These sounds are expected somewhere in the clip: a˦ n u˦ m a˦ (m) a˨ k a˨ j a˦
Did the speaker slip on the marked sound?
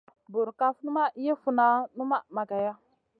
no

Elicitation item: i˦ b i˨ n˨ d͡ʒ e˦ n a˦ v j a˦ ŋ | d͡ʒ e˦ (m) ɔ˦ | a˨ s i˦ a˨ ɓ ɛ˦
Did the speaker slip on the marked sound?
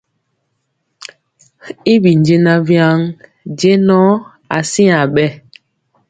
yes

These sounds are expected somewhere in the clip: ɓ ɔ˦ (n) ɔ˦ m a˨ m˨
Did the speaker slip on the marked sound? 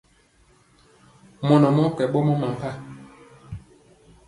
yes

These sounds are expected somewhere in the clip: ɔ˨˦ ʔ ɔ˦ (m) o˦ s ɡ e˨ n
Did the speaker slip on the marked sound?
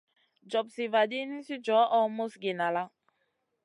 no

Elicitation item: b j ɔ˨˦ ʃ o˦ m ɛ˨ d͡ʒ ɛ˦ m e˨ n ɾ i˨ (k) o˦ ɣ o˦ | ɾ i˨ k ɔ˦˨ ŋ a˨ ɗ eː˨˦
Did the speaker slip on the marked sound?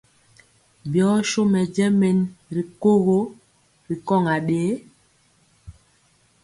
no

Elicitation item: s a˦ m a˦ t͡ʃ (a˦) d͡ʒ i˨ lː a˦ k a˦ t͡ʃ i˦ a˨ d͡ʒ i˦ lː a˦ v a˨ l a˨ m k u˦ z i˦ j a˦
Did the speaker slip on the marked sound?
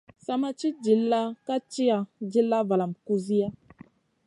yes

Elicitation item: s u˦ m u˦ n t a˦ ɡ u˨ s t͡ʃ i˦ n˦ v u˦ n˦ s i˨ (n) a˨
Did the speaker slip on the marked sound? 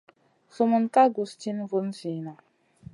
no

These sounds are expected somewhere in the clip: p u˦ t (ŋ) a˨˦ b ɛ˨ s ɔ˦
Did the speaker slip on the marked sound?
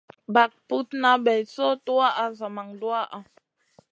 yes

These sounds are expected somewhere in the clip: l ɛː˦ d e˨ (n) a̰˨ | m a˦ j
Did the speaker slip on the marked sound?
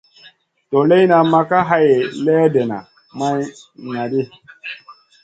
no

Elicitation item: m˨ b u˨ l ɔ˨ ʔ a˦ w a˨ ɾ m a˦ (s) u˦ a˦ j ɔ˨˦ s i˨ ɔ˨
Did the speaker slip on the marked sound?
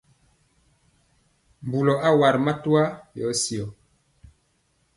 yes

